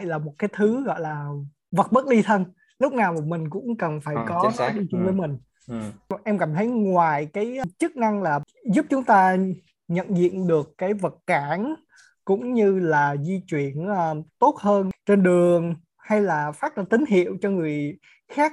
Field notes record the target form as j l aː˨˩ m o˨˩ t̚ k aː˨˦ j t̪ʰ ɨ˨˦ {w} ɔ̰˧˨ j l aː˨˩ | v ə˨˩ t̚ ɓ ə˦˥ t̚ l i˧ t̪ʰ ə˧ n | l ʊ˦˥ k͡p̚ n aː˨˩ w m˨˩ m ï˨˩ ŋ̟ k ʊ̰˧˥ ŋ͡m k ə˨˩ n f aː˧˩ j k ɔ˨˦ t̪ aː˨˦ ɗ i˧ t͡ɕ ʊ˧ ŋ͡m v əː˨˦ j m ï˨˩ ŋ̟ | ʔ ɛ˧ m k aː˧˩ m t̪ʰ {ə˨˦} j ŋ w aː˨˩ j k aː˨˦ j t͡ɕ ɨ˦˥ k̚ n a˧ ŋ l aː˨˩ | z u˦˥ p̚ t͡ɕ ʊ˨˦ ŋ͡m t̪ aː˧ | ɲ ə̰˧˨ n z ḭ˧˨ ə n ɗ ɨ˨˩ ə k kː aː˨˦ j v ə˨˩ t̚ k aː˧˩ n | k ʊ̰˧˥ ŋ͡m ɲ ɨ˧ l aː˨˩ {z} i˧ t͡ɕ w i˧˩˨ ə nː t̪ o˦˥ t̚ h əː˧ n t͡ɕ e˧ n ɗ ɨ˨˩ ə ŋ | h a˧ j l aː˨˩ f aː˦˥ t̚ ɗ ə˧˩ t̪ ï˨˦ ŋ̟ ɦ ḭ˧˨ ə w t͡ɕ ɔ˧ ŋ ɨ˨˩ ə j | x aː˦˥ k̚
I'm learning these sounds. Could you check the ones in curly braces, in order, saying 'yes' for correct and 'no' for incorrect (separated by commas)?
no, yes, yes